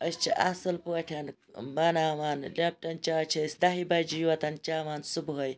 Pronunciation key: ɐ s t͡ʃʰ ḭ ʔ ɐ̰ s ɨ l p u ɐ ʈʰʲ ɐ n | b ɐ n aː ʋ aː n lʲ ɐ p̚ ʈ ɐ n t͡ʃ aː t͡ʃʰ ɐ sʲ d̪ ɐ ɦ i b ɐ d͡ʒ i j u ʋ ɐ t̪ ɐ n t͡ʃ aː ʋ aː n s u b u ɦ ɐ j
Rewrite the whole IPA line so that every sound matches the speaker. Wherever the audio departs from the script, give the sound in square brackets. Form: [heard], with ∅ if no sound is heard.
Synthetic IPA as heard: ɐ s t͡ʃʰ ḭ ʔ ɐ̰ s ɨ l p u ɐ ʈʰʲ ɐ n | b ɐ n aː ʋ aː n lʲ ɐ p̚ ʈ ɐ n t͡ʃ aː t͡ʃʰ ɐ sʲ d̪ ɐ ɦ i b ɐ d͡ʒ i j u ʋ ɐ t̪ ɐ n t͡ʃ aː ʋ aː n s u b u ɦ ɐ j